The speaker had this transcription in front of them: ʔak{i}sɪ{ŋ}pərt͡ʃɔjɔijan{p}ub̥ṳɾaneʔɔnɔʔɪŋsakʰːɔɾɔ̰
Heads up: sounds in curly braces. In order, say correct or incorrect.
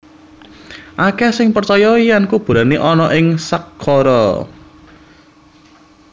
incorrect: ɛ, correct, incorrect: k

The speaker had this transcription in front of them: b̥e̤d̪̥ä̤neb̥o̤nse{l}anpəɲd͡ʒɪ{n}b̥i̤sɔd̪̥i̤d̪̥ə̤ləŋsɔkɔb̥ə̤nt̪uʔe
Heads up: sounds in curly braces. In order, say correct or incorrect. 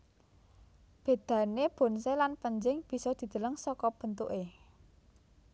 correct, incorrect: ŋ

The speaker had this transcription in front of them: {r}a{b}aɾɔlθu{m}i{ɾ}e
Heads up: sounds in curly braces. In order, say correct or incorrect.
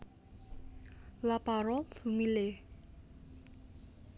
incorrect: l, incorrect: p, correct, incorrect: l

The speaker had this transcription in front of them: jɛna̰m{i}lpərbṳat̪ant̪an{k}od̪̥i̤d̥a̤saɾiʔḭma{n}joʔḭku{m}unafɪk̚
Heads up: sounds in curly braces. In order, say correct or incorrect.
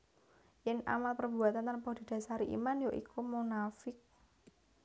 incorrect: a, incorrect: p, correct, correct

